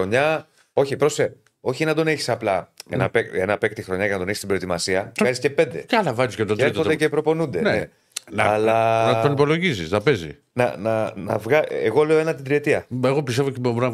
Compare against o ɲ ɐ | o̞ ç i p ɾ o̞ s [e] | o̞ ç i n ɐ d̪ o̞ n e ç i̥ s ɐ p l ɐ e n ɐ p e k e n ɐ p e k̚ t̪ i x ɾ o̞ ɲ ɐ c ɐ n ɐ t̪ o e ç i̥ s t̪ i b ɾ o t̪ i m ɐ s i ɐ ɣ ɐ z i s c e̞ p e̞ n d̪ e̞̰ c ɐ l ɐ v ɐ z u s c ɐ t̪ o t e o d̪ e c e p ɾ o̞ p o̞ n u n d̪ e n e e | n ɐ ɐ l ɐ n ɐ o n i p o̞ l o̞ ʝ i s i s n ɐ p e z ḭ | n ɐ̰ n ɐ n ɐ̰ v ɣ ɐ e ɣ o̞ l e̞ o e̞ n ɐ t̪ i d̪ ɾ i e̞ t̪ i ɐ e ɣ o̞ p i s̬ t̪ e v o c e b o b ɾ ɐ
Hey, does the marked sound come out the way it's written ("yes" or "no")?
yes